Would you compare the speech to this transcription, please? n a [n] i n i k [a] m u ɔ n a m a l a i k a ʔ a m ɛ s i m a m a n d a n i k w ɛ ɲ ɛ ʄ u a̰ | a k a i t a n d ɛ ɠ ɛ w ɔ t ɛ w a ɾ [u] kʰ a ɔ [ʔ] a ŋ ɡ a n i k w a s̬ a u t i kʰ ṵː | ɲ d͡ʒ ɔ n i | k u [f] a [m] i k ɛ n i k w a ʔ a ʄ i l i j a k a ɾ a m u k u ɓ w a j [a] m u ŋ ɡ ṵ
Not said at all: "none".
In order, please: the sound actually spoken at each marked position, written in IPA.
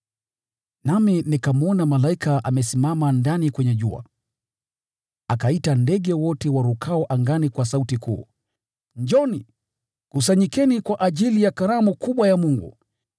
m, a, u, ʔ, s, ɲ, a

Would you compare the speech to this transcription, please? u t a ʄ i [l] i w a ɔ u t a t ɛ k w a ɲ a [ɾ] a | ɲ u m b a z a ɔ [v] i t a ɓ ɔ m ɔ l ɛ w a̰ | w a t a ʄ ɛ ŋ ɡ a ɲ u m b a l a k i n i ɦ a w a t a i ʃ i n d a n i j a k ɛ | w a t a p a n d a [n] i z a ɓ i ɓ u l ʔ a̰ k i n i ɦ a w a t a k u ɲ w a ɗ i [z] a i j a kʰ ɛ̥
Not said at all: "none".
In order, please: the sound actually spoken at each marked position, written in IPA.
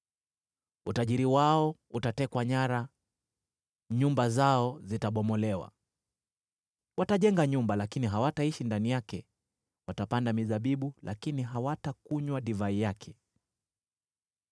ɾ, ɾ, z, m, v

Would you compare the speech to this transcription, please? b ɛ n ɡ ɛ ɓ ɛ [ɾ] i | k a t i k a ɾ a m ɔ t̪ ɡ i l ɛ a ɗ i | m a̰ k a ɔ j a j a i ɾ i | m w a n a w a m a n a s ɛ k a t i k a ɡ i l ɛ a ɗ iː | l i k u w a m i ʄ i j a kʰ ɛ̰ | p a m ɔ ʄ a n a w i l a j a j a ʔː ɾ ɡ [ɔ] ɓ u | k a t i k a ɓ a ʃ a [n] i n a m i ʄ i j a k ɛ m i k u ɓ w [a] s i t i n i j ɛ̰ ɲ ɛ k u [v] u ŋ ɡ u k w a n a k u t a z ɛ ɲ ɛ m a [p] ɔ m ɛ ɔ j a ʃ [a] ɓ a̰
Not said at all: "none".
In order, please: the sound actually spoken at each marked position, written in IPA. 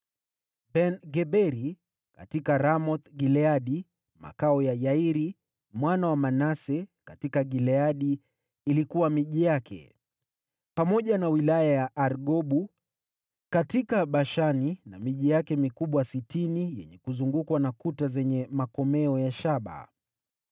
ɾ, ɔ, n, a, z, k, a

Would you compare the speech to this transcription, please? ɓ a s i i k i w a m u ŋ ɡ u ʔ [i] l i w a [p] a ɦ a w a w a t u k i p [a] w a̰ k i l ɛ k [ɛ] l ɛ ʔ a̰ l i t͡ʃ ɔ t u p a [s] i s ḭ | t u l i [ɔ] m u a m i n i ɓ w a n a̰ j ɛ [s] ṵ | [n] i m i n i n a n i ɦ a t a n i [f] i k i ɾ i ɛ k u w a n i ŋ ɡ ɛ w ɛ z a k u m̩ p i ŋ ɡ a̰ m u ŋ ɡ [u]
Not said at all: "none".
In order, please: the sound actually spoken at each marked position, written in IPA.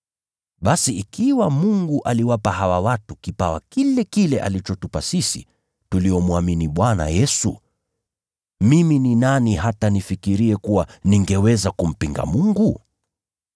a, p, a, i, s, ɔ, s, m, f, u

